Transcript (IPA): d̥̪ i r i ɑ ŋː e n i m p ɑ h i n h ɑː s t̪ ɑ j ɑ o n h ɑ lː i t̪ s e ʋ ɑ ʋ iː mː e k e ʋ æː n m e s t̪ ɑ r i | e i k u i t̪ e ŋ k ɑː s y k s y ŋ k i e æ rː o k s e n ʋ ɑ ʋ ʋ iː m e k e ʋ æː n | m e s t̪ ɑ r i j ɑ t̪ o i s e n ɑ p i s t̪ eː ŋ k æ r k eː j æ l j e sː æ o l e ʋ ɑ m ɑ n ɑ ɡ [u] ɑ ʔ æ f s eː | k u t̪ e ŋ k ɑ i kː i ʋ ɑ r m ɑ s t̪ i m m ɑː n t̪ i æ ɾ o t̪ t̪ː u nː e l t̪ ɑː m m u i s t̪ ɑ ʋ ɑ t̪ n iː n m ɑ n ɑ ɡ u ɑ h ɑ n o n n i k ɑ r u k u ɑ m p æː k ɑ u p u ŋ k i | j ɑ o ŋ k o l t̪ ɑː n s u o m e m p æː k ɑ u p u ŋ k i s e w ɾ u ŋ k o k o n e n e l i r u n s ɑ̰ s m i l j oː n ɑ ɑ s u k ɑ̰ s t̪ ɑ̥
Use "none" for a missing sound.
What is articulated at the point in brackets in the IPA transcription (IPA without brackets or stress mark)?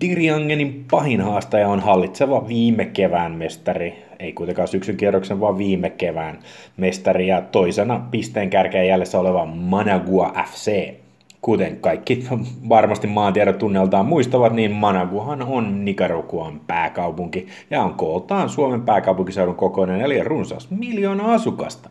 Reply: u